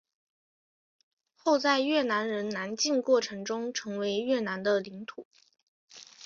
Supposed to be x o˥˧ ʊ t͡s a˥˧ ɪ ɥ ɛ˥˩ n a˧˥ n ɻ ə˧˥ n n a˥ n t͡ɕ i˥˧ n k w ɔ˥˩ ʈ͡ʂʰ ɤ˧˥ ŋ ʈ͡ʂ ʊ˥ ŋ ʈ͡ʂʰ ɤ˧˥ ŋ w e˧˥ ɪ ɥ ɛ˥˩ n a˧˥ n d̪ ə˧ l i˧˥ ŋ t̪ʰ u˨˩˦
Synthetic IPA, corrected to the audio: x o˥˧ ʊ t͡s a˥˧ ɪ ɥ ɛ˥˩ n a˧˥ n ɻ ə˧˥ n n a˧˥ n t͡ɕ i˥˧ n k w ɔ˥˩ ʈ͡ʂʰ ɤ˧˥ ŋ ʈ͡ʂ ʊ˥ ŋ ʈ͡ʂʰ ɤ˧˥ ŋ w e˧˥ ɪ ɥ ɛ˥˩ n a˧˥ n d̪ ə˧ l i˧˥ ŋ t̪ʰ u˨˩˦